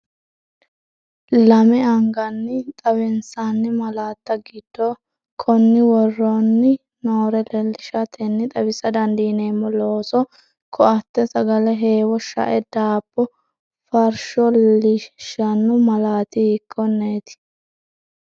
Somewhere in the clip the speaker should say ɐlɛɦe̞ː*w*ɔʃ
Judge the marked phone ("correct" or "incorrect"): correct